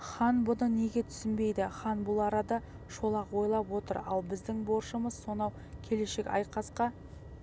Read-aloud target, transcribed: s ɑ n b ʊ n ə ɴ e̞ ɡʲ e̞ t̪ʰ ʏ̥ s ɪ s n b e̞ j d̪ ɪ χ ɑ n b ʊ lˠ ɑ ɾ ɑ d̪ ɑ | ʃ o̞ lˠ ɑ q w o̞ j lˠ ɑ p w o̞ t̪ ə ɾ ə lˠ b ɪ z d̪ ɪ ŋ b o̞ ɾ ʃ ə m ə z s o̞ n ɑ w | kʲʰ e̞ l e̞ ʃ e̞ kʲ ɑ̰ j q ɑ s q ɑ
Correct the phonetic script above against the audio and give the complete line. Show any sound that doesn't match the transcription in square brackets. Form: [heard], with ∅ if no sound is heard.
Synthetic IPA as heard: [χ] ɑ n b ʊ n ə [n] e̞ ɡʲ e̞ t̪ʰ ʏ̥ s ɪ [∅] n b e̞ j d̪ ɪ χ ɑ n b ʊ lˠ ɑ ɾ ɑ d̪ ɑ | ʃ o̞ lˠ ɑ q w o̞ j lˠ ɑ p w o̞ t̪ ə ɾ [ɑ] lˠ b ɪ z d̪ ɪ ŋ b o̞ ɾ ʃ ə m ə z s o̞ n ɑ w | kʲʰ e̞ l e̞ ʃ e̞ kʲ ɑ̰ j q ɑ s q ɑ